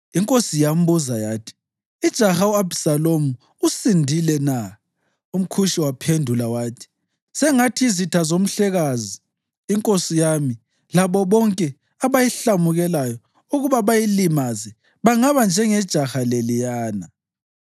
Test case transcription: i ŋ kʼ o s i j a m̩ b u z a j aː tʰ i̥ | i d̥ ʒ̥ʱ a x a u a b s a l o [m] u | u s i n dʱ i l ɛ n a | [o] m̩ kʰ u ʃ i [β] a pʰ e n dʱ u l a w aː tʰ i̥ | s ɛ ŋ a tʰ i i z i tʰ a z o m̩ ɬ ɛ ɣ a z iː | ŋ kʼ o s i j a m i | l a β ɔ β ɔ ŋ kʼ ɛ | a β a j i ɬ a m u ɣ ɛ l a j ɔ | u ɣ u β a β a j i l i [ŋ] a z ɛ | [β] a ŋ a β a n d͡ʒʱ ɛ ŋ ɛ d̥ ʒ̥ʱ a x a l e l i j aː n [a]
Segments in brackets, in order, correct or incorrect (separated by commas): correct, incorrect, incorrect, incorrect, correct, correct